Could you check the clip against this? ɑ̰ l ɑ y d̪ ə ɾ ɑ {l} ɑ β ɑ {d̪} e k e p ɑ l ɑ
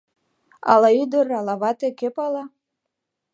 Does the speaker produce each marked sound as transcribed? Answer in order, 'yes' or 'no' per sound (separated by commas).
yes, no